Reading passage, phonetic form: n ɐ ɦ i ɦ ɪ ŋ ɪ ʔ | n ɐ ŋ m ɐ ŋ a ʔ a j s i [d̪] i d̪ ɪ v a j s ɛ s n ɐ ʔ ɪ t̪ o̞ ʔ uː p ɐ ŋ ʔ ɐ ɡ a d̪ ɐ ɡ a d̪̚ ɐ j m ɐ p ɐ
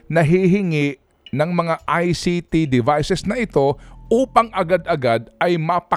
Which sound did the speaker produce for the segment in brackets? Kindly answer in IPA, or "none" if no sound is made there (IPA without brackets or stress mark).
t̪